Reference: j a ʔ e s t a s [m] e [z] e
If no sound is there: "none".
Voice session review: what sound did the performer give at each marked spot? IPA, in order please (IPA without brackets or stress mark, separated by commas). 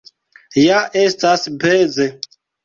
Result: b, z